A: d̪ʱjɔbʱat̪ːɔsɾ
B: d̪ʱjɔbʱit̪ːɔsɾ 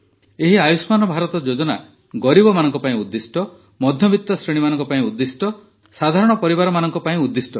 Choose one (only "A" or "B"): B